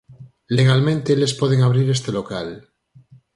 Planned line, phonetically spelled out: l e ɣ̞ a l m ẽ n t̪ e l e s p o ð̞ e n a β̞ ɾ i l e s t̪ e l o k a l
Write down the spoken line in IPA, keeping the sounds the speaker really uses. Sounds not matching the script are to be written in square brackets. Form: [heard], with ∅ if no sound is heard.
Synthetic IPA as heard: l e ɣ̞ a l m ẽ n t̪ e l e s p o ð̞ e [ŋ] a β̞ ɾ i [ɾ] e s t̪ e l o k a l